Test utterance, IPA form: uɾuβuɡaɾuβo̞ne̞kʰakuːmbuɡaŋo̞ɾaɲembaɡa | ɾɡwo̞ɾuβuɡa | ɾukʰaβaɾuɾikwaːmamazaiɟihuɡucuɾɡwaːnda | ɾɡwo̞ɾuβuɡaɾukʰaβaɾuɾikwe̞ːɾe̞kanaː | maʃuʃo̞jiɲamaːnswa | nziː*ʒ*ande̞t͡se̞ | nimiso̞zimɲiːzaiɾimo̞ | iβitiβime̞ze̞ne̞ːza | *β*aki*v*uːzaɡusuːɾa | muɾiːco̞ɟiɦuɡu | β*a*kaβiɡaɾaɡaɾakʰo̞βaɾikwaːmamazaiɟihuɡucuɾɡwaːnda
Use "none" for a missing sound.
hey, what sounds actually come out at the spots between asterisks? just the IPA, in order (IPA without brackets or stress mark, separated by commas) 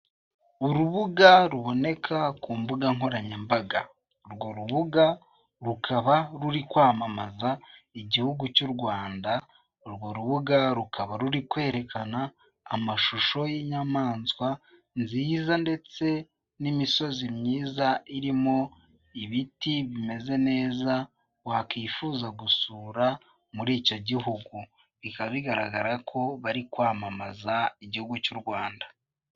z, w, f, i